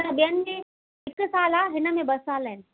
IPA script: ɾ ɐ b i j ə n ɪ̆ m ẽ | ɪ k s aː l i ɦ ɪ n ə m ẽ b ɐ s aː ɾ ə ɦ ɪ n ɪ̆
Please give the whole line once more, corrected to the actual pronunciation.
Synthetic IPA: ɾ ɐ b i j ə n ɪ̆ m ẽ | ɪ k s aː l a ɦ ɪ n ə m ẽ b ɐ s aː l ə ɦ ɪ n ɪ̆